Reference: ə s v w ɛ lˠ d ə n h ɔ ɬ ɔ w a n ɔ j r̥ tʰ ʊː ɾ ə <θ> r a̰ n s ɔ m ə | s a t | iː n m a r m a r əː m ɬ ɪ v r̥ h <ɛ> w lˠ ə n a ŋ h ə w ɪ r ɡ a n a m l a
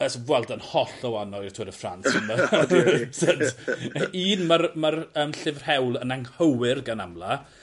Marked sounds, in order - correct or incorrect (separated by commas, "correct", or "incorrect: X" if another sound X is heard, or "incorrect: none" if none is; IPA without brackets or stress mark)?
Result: incorrect: f, correct